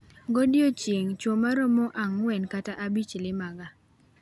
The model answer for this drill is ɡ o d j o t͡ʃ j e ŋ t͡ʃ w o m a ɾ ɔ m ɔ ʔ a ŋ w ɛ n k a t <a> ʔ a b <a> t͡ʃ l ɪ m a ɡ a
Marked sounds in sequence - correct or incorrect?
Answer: correct, incorrect: i

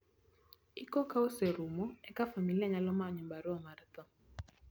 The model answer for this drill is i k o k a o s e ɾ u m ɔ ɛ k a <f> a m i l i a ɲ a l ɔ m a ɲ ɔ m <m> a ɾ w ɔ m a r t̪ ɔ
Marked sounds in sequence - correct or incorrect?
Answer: correct, incorrect: b

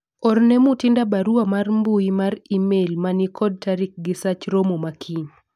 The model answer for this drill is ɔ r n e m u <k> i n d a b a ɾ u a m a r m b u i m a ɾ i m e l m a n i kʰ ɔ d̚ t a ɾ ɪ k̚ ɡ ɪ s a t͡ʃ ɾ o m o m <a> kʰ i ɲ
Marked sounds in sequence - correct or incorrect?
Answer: incorrect: t, correct

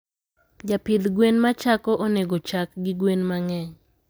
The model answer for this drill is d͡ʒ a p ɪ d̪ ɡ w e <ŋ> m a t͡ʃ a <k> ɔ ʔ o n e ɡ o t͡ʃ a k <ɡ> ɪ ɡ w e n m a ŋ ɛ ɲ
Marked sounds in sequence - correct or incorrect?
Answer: incorrect: n, correct, correct

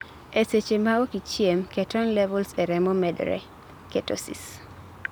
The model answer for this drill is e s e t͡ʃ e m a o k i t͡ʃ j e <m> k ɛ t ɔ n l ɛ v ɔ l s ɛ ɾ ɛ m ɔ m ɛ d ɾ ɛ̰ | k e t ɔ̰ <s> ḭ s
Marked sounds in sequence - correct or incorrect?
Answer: correct, correct

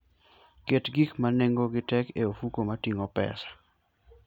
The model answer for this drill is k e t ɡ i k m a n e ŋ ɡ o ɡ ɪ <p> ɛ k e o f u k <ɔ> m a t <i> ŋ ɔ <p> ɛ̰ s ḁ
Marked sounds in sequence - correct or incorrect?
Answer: incorrect: t, incorrect: o, correct, correct

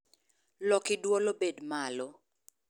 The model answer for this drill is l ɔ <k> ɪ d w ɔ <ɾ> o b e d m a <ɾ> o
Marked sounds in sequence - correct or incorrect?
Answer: correct, incorrect: l, incorrect: l

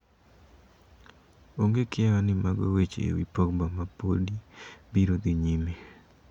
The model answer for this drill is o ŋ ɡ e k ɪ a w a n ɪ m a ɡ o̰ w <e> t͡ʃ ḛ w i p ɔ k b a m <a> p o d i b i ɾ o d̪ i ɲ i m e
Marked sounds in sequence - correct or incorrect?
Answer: correct, correct

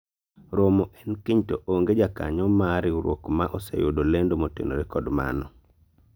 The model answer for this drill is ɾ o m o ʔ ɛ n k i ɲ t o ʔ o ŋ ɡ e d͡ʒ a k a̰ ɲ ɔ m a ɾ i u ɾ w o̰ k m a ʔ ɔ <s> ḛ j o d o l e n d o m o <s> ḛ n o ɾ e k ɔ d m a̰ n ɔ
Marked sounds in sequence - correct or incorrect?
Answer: correct, incorrect: t

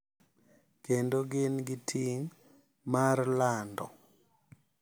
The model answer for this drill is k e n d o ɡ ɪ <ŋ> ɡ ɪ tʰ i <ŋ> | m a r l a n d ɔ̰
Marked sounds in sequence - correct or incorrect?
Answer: incorrect: n, correct

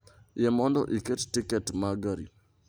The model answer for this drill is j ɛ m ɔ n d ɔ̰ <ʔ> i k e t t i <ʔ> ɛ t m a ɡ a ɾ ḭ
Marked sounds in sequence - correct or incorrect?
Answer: correct, incorrect: k

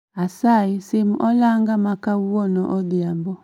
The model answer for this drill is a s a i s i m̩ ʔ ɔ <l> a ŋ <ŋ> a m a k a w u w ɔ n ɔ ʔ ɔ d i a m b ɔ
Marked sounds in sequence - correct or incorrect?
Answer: correct, incorrect: ɡ

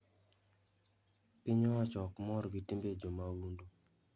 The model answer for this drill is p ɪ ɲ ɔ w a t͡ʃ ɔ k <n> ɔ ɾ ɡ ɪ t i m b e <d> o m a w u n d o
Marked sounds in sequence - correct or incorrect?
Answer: incorrect: m, incorrect: d͡ʒ

